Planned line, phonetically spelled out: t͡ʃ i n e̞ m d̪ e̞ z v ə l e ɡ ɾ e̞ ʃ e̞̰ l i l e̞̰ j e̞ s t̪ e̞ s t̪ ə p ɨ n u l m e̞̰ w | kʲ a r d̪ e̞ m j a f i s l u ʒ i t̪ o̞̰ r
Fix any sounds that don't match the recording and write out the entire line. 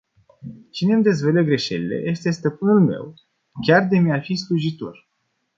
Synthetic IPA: t͡ʃ i n e̞ m d̪ e̞ z v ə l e ɡ ɾ e̞ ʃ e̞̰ l i l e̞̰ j e̞ s t̪ e̞ s t̪ ə p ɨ n u l m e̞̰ w | kʲ a r d̪ e̞ m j a f i s l u ʒ i t̪ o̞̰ r